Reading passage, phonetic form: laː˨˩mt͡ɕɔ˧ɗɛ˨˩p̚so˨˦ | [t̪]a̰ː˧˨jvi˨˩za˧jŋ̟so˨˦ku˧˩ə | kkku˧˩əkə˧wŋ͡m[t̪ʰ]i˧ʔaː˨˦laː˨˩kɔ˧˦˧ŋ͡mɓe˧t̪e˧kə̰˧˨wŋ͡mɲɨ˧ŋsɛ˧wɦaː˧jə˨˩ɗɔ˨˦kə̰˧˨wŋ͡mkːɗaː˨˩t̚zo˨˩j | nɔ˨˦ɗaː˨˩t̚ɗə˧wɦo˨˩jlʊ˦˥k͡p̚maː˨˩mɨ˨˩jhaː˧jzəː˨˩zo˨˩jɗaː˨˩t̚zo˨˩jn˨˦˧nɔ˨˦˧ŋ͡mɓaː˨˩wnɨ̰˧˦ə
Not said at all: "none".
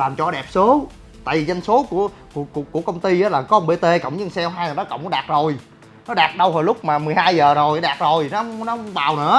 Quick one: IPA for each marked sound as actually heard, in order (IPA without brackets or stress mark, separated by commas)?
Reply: t̪, t̪